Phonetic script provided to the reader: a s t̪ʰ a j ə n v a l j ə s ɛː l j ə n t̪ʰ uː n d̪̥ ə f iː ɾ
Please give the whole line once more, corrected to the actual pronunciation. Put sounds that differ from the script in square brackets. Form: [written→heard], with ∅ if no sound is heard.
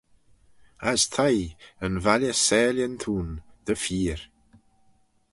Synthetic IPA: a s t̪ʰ a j ə n v a l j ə s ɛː l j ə n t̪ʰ uː n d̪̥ ə f iː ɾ